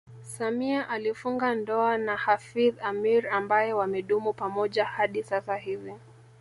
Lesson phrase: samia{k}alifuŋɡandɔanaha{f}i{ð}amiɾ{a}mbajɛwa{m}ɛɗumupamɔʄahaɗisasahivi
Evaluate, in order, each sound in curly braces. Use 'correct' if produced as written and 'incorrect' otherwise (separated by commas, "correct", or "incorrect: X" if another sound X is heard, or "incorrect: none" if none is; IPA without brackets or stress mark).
incorrect: ʔ, correct, correct, correct, correct